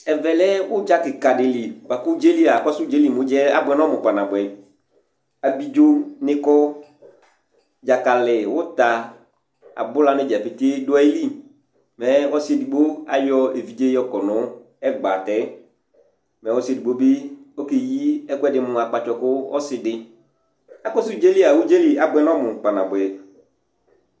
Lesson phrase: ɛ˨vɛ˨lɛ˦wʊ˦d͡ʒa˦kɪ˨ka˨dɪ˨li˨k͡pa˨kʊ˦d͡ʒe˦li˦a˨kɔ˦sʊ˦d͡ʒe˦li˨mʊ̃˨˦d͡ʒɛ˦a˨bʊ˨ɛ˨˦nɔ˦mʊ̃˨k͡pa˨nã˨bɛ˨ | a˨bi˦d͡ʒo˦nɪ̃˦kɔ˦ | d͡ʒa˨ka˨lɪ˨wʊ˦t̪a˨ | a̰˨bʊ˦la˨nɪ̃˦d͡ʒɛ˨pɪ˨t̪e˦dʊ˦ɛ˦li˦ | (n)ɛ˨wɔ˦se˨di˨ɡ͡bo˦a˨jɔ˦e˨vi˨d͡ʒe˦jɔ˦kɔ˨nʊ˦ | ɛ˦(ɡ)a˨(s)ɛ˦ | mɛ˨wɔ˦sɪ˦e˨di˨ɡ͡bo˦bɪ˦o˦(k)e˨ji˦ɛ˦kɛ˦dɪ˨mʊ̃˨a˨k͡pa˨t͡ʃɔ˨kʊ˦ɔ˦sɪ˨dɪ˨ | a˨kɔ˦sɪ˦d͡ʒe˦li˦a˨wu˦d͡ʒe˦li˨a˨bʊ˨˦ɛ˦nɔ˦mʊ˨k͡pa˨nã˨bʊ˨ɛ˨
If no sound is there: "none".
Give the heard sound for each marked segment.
m, ɡ͡b, t, k

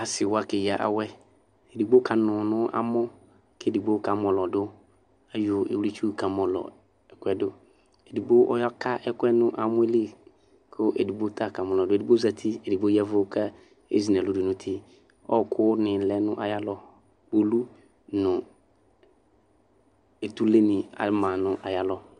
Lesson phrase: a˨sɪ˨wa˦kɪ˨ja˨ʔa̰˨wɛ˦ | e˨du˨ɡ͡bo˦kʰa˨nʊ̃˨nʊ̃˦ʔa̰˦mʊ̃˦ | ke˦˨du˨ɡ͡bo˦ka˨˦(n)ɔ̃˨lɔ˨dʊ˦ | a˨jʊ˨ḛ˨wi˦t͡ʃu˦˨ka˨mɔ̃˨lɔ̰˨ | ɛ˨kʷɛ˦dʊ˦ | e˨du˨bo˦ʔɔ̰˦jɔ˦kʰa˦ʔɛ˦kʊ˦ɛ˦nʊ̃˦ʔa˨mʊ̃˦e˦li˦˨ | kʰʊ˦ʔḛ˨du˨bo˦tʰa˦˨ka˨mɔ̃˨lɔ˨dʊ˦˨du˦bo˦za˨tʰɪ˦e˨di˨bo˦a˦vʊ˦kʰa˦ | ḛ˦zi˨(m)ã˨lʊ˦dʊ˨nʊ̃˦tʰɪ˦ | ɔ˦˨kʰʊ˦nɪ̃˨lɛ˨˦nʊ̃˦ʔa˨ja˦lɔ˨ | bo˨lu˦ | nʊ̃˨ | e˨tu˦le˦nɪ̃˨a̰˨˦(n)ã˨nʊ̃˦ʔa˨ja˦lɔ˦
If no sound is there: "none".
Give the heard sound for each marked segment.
m, n, m

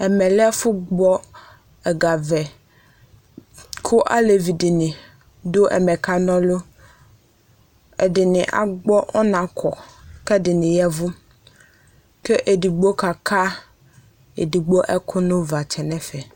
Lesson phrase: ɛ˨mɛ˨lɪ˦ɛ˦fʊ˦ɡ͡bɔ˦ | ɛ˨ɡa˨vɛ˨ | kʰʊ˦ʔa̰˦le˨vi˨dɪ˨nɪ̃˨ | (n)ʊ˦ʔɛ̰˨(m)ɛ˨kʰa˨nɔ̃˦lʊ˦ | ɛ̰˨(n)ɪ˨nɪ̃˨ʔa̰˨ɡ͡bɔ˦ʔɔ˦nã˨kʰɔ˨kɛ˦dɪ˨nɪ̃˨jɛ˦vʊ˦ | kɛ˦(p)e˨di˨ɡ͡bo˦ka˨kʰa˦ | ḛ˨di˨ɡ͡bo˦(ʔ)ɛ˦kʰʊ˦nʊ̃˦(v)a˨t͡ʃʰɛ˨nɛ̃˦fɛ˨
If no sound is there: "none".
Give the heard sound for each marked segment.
d, m, d, ʔ, ʔ, v

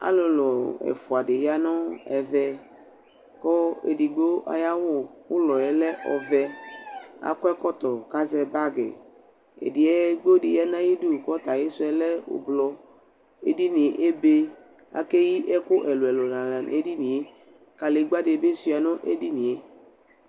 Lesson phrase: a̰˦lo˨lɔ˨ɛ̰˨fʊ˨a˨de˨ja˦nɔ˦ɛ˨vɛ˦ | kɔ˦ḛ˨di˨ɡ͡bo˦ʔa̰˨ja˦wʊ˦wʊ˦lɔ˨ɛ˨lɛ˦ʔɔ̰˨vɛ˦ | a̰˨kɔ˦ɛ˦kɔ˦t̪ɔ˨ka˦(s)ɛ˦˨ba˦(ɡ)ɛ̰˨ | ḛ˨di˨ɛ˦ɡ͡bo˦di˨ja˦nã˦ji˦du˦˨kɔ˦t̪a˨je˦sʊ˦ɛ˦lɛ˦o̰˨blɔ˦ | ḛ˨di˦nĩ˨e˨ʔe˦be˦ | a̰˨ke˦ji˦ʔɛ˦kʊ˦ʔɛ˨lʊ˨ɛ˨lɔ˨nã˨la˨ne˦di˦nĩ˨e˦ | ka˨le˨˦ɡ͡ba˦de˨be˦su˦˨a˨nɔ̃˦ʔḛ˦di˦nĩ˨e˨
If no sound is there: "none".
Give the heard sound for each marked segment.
z, ɡ

